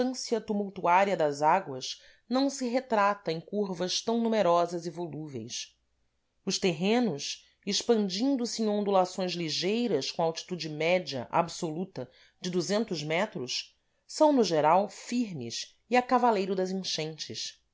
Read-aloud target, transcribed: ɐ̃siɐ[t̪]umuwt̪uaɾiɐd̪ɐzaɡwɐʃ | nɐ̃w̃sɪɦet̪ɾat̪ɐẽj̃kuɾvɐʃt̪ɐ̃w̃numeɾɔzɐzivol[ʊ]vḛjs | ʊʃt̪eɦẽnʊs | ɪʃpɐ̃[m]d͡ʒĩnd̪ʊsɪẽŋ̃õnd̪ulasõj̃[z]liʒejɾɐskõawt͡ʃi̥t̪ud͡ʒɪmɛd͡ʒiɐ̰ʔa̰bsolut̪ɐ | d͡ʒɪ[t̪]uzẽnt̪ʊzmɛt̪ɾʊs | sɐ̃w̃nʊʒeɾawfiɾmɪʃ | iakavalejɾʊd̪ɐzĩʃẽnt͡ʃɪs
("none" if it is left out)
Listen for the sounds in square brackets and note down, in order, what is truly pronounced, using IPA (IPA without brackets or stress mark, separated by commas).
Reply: t̪, u, n, z, d̪